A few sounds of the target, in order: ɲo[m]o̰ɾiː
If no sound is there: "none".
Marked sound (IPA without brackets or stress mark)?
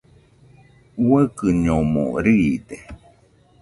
m